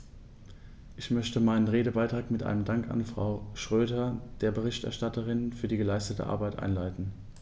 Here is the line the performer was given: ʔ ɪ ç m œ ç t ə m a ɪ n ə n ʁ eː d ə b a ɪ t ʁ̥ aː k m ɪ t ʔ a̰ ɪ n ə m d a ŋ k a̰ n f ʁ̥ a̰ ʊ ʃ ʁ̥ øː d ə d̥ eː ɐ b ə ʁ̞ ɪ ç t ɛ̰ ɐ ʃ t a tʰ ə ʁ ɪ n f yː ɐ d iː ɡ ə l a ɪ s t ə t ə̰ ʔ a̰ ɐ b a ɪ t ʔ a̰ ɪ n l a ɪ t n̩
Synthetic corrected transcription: ʔ ɪ ç m œ ç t ə m a ɪ n ə n ʁ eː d ə b a ɪ t ʁ̥ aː k m ɪ t ʔ a̰ ɪ n ə m d a ŋ k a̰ n f ʁ̥ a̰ ʊ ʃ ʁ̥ øː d ɐ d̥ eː ɐ b ə ʁ̞ ɪ ç t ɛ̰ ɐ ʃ t a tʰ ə ʁ ɪ n f yː ɐ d iː ɡ ə l a ɪ s t ə t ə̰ ʔ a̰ ɐ b a ɪ t ʔ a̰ ɪ n l a ɪ t n̩